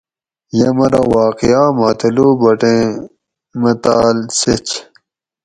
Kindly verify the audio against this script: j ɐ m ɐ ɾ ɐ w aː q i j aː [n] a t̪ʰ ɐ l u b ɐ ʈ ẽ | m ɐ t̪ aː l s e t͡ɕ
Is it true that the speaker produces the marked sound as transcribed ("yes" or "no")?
no